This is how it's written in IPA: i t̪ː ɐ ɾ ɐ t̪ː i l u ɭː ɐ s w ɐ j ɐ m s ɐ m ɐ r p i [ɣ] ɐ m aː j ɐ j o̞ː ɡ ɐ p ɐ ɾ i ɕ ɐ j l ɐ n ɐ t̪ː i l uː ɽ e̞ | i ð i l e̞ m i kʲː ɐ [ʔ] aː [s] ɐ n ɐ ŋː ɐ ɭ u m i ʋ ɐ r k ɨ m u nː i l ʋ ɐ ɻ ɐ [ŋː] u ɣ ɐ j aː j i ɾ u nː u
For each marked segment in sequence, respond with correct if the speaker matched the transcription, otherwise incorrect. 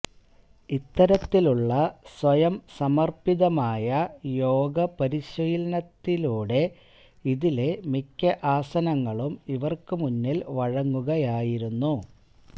incorrect: ð, correct, correct, correct

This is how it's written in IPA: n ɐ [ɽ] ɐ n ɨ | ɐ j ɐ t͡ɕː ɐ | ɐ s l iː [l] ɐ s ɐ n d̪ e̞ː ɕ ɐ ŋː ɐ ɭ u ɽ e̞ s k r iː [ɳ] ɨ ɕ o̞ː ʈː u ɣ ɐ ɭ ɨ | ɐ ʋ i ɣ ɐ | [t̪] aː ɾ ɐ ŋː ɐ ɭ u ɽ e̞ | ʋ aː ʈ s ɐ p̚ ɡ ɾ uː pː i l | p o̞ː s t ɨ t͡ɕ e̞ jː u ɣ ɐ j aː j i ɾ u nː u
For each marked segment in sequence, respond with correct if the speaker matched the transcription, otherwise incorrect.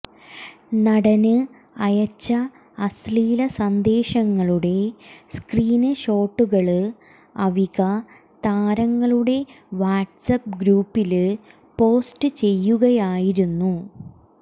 correct, correct, incorrect: n, correct

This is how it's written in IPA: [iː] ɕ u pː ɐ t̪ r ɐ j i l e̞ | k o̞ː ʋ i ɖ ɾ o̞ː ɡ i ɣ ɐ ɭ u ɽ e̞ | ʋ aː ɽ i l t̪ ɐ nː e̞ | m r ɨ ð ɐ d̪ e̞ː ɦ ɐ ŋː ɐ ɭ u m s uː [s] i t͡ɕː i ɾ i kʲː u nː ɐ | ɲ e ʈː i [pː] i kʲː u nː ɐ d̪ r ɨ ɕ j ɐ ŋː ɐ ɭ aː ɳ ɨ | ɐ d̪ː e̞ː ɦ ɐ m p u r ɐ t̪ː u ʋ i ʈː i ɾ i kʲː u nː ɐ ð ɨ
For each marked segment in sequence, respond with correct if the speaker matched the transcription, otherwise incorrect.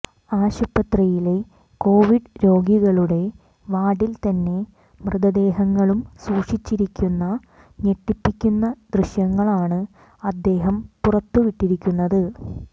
incorrect: aː, incorrect: ʂ, correct

